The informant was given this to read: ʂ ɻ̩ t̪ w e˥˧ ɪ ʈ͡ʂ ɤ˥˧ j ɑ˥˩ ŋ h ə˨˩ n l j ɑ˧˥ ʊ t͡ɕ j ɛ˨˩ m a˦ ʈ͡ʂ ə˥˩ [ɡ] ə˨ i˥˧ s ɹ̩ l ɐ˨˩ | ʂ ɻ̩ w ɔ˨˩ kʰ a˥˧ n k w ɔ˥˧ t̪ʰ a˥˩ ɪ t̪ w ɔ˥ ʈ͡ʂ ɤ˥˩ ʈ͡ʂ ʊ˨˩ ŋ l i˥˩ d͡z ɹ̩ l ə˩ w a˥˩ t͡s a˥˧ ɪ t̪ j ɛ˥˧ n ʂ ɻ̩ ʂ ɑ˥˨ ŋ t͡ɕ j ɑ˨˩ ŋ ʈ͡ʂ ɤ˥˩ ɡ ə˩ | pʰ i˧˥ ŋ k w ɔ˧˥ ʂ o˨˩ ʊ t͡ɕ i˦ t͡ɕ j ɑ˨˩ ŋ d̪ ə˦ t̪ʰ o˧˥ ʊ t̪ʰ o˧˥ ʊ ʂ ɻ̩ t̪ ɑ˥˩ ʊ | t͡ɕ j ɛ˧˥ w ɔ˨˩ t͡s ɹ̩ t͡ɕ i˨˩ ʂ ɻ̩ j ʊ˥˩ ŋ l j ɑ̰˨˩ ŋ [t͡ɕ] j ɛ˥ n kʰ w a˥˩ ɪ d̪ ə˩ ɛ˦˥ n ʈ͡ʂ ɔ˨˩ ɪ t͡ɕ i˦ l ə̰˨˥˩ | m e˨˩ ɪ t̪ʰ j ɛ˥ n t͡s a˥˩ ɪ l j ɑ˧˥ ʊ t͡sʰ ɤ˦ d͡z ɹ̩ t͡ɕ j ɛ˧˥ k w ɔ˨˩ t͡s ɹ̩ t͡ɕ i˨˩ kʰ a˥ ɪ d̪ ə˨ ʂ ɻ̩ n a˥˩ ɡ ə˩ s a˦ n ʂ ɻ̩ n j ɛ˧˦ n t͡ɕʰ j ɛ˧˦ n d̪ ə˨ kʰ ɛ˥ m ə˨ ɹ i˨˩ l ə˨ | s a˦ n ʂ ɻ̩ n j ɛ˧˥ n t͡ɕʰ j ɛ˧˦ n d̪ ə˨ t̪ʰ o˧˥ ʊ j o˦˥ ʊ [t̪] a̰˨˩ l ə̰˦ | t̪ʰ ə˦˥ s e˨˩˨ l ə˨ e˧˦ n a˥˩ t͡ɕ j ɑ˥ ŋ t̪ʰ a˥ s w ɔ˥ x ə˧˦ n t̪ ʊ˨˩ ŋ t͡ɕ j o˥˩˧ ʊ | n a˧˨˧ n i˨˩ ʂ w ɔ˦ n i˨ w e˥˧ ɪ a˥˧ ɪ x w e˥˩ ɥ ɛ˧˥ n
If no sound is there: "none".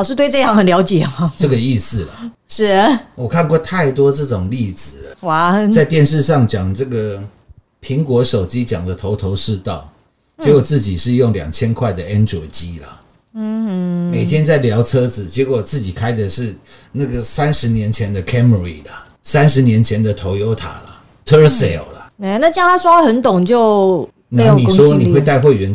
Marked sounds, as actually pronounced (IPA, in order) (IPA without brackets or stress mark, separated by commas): ɡ, t͡ɕʰ, t̪ʰ